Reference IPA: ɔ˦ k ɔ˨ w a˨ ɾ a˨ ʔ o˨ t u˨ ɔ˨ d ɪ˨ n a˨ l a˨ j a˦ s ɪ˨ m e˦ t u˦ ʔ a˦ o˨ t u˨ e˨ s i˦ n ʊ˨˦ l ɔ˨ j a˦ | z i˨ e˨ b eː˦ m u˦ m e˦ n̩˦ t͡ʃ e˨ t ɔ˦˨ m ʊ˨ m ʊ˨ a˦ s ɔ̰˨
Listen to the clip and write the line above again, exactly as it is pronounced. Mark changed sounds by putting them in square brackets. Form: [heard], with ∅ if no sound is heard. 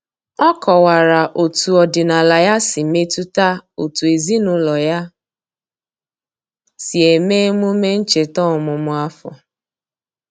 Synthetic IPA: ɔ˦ k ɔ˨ w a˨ ɾ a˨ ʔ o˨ t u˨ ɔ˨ d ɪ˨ n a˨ l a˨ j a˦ s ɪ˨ m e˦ t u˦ [t] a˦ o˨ t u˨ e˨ [z] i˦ n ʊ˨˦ l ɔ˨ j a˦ | [s] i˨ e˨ [m] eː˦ m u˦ m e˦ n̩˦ t͡ʃ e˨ t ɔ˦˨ m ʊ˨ m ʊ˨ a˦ [f] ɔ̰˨